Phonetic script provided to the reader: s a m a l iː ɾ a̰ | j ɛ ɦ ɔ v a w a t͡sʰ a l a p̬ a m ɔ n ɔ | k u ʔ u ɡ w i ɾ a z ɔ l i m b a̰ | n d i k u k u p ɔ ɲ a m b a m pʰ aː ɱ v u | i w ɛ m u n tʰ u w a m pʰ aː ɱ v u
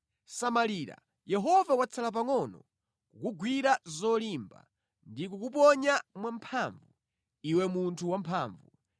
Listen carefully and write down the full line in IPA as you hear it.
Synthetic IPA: s a m a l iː ɾ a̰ | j ɛ ɦ ɔ v a w a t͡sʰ a l a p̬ a ŋ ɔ n ɔ | k u k u ɡ w i ɾ a z ɔ l i m b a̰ | n d i k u k u p ɔ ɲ a m w a m pʰ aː ɱ v u | i w ɛ m u n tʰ u w a m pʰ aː ɱ v u